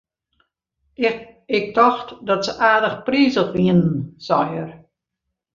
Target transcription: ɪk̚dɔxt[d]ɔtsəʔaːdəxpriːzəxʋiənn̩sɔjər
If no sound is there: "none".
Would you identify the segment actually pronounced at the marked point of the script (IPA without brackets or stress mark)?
d